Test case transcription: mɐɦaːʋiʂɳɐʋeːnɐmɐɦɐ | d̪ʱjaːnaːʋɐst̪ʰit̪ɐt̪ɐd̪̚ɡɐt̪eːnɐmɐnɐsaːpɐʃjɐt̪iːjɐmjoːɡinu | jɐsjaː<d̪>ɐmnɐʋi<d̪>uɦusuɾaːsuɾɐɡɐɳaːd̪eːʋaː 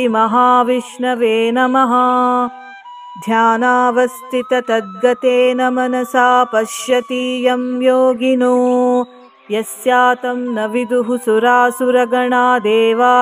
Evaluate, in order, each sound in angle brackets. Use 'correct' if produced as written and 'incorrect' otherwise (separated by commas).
incorrect, correct